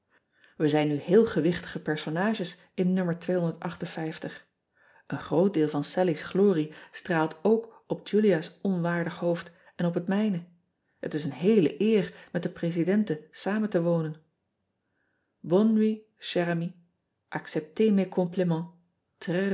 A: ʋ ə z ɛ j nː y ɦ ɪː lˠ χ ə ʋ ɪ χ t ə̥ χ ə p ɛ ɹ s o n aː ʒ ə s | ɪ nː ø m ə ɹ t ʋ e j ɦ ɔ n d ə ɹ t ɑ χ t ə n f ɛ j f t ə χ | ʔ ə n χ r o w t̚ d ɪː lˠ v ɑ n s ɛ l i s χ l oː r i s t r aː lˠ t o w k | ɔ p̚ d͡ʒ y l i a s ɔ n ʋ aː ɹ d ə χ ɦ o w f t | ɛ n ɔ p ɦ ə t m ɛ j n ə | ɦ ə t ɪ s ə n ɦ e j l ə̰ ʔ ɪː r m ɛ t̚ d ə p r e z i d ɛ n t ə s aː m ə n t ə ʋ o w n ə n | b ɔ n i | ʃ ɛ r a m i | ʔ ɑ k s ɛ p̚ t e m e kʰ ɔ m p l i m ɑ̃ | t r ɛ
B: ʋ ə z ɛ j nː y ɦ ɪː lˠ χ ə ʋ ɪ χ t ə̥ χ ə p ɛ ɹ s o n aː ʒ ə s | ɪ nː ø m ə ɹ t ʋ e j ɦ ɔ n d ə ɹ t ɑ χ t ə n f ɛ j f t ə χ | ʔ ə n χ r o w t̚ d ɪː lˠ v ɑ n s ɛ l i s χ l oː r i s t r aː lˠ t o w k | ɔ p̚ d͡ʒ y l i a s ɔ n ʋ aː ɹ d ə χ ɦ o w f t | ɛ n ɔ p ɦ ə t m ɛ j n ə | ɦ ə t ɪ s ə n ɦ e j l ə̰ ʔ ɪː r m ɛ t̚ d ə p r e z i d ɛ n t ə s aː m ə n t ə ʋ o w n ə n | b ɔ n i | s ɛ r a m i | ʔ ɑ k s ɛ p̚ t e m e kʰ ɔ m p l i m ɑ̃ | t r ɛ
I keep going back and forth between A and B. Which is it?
A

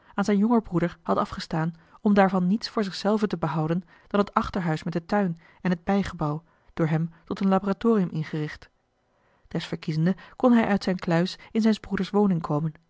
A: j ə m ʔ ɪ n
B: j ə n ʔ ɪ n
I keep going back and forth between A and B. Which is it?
A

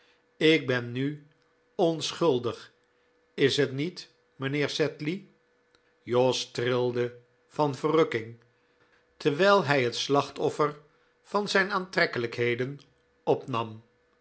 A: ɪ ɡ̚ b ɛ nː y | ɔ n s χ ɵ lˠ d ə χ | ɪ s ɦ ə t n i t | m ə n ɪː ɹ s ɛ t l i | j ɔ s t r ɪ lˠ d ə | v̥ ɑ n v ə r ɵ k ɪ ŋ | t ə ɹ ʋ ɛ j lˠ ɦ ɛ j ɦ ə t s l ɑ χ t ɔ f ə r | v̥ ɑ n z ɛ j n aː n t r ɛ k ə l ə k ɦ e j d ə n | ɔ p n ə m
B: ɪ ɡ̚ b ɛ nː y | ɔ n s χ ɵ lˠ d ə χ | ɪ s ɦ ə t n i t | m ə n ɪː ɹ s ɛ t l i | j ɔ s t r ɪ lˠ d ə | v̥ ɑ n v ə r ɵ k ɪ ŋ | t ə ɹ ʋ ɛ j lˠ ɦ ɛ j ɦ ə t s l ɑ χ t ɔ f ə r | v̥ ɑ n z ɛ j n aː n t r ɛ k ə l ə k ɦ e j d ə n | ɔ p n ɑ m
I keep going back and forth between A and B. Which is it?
B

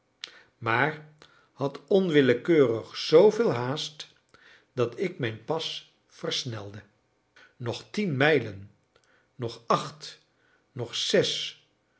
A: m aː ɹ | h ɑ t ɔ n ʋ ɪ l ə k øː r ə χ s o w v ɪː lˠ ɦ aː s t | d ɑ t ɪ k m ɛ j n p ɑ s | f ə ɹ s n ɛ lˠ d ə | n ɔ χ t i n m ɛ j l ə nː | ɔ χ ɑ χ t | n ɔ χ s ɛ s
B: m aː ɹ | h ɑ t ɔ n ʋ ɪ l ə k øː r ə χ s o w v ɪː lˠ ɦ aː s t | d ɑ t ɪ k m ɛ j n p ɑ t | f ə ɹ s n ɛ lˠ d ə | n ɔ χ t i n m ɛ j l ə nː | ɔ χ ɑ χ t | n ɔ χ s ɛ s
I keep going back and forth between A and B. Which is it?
A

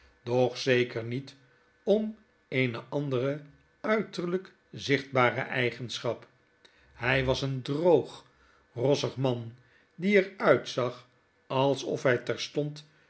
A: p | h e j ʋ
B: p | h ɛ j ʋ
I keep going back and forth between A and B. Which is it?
B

